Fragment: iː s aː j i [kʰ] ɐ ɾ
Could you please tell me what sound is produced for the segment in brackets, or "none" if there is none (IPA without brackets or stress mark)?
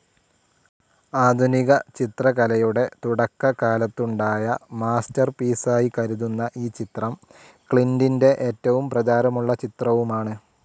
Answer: k